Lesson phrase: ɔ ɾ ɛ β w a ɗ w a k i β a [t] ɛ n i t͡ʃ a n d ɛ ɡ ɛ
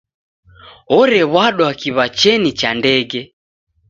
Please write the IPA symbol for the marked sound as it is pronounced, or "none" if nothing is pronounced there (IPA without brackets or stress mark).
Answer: t͡ʃ